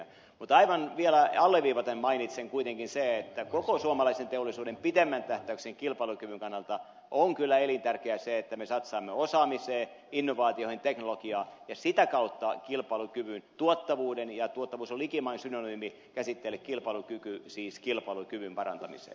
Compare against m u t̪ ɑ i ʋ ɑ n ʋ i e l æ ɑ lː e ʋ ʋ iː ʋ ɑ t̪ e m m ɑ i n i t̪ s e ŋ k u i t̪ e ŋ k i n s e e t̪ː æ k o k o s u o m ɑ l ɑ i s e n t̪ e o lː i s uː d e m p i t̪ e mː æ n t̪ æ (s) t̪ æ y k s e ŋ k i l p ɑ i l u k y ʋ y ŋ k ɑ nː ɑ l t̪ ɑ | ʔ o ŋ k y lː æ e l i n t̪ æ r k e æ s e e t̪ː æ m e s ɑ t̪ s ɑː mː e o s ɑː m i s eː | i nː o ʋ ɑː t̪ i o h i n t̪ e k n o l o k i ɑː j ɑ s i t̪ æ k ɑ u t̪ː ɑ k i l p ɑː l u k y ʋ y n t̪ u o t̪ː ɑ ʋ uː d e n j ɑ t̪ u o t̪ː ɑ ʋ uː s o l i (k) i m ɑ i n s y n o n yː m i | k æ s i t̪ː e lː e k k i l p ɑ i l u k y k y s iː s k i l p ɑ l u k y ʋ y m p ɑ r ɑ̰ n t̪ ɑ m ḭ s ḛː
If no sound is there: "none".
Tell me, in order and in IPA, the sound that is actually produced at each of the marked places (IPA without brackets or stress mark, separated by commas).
h, k